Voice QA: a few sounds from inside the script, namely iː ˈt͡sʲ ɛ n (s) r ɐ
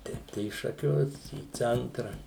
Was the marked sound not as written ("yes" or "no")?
yes